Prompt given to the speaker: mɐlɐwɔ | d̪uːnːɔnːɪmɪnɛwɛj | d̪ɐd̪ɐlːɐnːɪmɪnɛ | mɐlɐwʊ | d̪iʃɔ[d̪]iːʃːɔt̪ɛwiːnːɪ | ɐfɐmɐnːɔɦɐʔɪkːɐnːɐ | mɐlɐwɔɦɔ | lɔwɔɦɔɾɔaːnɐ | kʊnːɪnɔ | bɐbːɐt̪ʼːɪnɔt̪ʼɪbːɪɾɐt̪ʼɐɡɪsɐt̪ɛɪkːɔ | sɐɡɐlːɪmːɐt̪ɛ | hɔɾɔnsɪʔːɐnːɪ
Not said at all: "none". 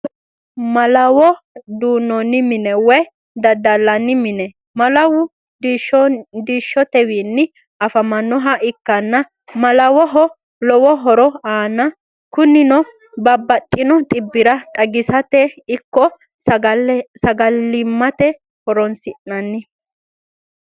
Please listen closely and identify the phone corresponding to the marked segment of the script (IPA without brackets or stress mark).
d̪